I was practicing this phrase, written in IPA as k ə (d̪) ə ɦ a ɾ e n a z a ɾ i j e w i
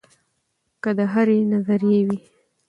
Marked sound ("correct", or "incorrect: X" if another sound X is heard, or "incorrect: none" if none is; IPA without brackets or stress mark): correct